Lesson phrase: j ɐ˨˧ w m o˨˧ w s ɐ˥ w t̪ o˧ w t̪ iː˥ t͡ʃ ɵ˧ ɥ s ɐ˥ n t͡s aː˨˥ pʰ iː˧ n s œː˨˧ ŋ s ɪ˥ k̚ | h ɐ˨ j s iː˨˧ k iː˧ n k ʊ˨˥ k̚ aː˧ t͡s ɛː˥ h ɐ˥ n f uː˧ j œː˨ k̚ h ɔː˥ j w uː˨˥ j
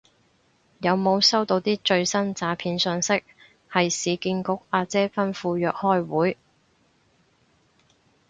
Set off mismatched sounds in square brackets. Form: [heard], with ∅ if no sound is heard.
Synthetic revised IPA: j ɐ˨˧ w m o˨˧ w s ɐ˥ w t̪ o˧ w t̪ iː˥ t͡ʃ ɵ˧ ɥ s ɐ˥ n t͡s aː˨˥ pʰ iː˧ n s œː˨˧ ŋ s ɪ˥ k̚ | h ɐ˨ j s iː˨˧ k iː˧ n k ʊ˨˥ k̚ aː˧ t͡s ɛː˥ [f] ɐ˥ n f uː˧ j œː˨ k̚ h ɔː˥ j w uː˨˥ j